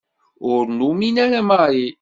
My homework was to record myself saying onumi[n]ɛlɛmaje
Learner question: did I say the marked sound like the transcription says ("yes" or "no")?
yes